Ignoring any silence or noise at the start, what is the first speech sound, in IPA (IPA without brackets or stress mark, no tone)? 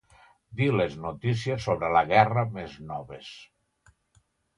d̪